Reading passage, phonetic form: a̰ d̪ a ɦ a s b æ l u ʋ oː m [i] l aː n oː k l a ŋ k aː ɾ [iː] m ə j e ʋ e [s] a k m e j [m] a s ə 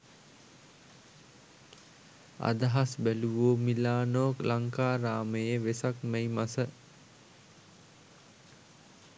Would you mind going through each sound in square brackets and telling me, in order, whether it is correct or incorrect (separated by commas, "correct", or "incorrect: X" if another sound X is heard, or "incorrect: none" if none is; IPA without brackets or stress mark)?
correct, incorrect: aː, correct, correct